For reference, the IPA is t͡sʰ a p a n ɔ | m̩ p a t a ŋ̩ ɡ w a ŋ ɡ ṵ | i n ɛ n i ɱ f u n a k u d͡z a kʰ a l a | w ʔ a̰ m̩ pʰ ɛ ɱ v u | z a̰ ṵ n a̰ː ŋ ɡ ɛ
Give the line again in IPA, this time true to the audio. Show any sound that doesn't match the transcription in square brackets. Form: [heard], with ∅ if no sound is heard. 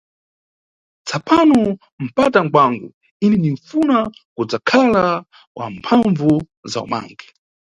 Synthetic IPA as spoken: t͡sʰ a p a n ɔ | m̩ p a t a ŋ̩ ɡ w a ŋ ɡ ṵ | i n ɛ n i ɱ f u n a k u d͡z a kʰ a l a | w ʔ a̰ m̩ pʰ [a] ɱ v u | z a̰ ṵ [m] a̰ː ŋ ɡ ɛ